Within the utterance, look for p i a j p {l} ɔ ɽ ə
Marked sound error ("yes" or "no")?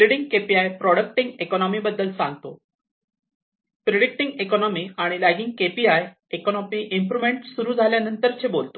yes